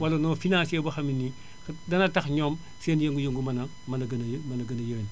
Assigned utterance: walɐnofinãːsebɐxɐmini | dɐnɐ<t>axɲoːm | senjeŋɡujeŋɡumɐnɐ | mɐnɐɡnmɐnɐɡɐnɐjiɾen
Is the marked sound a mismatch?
no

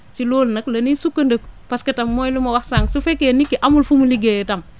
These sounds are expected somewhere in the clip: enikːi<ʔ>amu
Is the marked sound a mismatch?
no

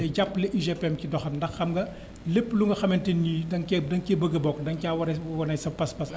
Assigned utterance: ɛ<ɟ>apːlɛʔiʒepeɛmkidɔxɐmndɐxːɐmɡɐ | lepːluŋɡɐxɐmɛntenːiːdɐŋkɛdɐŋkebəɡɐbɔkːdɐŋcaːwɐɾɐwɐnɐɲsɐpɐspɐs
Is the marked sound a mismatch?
no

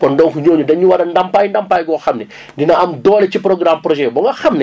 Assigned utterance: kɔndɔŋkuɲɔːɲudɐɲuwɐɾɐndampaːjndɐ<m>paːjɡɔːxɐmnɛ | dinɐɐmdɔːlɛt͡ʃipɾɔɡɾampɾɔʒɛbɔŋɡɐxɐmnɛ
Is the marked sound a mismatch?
no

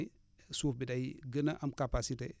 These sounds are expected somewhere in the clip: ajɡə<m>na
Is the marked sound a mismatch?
yes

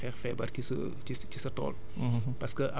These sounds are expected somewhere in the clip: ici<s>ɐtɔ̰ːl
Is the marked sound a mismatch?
no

